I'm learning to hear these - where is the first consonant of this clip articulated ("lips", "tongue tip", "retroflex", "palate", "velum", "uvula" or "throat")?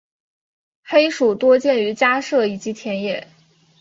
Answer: velum